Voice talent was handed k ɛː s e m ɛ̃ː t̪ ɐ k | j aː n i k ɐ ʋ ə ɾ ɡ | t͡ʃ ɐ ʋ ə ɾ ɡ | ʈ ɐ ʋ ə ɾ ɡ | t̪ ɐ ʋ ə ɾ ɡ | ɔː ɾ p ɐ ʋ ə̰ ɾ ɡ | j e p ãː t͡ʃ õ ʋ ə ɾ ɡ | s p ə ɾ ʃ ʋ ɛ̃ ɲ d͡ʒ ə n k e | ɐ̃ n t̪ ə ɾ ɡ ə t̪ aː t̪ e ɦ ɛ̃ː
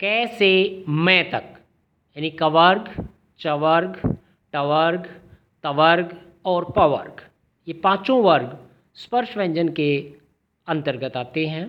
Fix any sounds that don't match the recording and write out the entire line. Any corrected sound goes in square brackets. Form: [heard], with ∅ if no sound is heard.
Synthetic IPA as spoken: k ɛː s e m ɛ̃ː t̪ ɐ k | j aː n i k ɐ ʋ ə ɾ ɡ | t͡ʃ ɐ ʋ ə ɾ ɡ | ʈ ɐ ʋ ə ɾ ɡ | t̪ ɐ ʋ ə ɾ ɡ | ɔː ɾ p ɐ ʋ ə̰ ɾ ɡ | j e p ãː t͡ʃ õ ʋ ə ɾ ɡ | s p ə ɾ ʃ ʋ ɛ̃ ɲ d͡ʒ ə n k e | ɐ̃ n t̪ ə ɾ ɡ ə t̪ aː t̪ e ɦ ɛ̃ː